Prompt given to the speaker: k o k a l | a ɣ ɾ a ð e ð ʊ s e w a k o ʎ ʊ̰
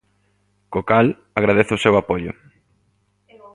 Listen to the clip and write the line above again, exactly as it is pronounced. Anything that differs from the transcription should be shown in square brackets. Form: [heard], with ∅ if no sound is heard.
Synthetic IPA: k o k a l | a ɣ ɾ a ð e [θ] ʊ s e w a [p] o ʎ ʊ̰